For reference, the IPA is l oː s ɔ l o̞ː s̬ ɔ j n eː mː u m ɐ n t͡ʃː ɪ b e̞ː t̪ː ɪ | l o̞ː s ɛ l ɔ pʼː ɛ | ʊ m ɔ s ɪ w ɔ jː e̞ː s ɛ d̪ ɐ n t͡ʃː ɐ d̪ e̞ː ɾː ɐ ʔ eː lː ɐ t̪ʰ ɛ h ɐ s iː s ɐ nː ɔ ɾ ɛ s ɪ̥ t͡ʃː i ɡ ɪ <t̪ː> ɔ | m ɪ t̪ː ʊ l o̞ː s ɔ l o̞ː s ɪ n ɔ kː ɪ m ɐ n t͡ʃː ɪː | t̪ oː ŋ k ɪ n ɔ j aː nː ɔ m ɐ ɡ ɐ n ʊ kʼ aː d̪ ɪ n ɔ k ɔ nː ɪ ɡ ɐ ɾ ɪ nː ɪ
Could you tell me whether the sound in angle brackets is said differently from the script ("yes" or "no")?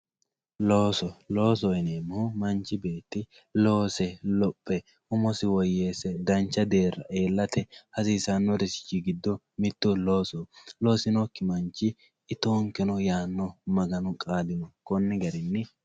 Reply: yes